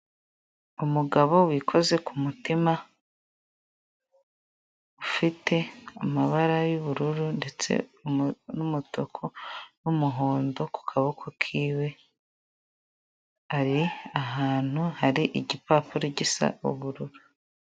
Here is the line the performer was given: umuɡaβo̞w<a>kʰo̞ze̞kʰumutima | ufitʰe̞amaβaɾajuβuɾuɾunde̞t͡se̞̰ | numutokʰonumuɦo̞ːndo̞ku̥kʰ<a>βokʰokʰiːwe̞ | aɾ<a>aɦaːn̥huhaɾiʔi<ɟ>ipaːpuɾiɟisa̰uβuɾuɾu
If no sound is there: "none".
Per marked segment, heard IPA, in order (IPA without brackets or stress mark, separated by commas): i, a, i, ɟ